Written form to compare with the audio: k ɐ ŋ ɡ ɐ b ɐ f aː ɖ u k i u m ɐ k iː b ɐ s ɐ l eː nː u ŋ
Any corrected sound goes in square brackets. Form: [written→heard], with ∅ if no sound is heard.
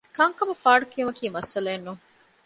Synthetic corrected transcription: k ɐ ŋ [ɡ→k] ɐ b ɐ f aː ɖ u k i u m ɐ k iː [b→m] ɐ s ɐ l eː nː u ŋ

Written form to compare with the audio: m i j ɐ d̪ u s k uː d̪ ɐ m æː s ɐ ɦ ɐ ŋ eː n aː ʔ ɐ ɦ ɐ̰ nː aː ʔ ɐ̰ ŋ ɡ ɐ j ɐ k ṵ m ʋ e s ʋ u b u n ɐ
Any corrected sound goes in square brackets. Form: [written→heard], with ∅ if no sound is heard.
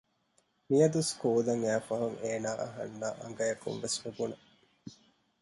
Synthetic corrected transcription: m i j ɐ d̪ u s k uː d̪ ɐ [m→ŋ] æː [s→f] ɐ ɦ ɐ ŋ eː n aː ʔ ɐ ɦ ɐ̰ nː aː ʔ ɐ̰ ŋ ɡ ɐ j ɐ k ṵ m ʋ e s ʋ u b u n ɐ

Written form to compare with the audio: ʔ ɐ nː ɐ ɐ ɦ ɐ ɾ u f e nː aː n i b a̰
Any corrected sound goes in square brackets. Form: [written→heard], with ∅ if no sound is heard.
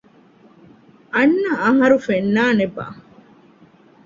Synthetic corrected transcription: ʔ ɐ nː ɐ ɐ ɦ ɐ ɾ u f e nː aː n [i→e] b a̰

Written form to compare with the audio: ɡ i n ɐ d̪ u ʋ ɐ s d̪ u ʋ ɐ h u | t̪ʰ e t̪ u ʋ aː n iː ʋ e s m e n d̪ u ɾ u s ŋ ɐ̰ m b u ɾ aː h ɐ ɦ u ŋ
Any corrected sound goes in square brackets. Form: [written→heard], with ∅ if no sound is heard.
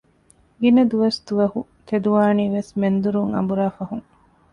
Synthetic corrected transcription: ɡ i n ɐ d̪ u ʋ ɐ s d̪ u ʋ ɐ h u | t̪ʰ e [t̪→d̪] u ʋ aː n iː ʋ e s m e n d̪ u ɾ u [s→∅] ŋ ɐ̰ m b u ɾ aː [h→f] ɐ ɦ u ŋ

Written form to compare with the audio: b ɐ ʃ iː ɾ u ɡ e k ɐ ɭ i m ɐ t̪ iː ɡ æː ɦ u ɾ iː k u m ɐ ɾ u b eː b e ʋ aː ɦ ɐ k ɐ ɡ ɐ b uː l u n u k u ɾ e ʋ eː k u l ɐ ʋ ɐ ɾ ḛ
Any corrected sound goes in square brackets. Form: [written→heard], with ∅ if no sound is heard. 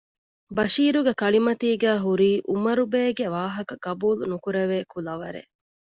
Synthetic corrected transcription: b ɐ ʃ iː ɾ u ɡ e k ɐ ɭ i m ɐ t̪ iː ɡ æː ɦ u ɾ iː [k→ʔ] u m ɐ ɾ u b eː [b→ɡ] e ʋ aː ɦ ɐ k ɐ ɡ ɐ b uː l u n u k u ɾ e ʋ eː k u l ɐ ʋ ɐ ɾ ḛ

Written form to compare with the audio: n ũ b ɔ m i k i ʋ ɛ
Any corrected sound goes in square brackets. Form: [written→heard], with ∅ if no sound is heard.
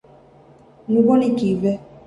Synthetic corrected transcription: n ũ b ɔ [m→n] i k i [ʋ→v] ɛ

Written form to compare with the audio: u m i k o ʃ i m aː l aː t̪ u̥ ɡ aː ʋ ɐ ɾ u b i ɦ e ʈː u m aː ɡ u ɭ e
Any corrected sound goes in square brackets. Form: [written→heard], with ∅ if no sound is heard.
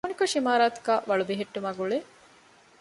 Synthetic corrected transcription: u [m→n] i k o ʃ i m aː [l→ɾ] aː t̪ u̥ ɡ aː ʋ ɐ [ɾ→ɭ] u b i ɦ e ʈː u m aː ɡ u ɭ e

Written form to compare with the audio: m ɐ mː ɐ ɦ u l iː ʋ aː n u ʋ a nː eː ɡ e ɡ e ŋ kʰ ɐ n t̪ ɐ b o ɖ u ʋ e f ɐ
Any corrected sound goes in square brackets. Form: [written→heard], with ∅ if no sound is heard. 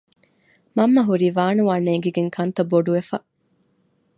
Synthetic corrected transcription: m ɐ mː ɐ ɦ u [l→ɾ] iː ʋ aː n u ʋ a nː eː ɡ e ɡ e ŋ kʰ ɐ n t̪ ɐ b o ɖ u ʋ e f ɐ

